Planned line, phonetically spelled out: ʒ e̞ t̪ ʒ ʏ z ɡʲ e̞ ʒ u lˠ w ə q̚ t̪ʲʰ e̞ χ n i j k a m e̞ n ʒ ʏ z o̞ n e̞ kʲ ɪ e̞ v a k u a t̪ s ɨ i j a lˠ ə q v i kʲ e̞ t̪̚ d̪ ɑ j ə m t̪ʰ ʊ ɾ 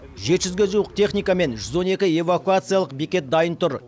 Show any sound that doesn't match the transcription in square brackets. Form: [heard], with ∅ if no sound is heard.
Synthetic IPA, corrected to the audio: ʒ e̞ t̪ ʒ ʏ z ɡʲ e̞ ʒ u [∅] w ə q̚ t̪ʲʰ e̞ χ n i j k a m e̞ n ʒ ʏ z o̞ n e̞ kʲ ɪ e̞ v a k u a t̪ s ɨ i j a lˠ ə q [b] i kʲ e̞ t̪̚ d̪ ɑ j ə [n] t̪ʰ ʊ ɾ